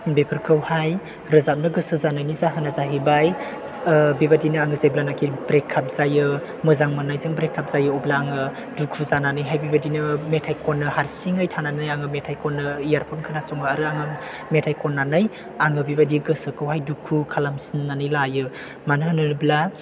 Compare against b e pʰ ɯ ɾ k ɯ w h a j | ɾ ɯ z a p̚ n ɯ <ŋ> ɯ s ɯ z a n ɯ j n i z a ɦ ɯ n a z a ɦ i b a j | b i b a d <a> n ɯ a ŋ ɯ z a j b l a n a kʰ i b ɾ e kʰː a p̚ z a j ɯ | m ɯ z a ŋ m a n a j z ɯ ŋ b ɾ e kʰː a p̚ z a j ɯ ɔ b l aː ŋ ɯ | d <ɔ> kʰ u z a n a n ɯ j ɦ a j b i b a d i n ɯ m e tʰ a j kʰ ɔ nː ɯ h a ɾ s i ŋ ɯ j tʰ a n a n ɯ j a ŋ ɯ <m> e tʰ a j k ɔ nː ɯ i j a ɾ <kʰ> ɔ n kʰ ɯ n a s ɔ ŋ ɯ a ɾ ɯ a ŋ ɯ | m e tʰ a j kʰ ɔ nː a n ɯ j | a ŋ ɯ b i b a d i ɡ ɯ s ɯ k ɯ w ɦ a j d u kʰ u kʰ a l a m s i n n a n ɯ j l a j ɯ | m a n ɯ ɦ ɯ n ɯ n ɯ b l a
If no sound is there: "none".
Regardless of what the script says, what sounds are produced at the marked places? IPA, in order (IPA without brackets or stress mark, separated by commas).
ɡ, i, u, m, pʰ